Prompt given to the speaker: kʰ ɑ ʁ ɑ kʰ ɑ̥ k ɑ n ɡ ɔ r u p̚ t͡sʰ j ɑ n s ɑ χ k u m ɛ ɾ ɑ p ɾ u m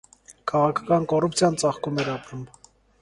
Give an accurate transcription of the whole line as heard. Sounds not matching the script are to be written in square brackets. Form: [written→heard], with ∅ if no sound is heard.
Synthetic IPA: kʰ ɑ ʁ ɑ kʰ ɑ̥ k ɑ n [ɡ→k] ɔ r u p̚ t͡sʰ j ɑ n [s→t͡s] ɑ χ k u m ɛ ɾ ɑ p ɾ u m